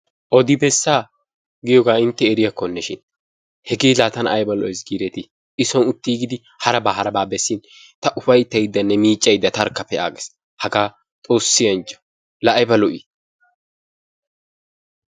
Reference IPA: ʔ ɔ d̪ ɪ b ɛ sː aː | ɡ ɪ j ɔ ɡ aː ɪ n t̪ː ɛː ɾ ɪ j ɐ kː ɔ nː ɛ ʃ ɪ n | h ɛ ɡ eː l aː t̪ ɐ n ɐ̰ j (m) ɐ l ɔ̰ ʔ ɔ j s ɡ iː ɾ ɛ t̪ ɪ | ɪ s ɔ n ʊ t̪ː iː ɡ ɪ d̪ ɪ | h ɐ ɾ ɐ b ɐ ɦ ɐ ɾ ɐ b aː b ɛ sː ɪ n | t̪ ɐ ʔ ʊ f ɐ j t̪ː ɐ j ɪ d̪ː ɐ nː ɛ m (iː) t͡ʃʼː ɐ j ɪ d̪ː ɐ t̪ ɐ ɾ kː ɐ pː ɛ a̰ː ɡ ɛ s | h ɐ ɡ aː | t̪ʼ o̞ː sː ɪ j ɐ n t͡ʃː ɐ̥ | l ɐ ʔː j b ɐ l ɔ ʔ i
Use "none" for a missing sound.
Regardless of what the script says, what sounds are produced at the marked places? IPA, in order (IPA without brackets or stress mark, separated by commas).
b, iː